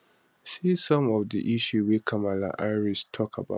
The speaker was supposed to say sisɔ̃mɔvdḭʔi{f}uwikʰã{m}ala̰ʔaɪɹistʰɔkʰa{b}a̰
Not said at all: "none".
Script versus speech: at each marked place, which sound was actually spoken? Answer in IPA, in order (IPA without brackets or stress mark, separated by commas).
ʃ, m, b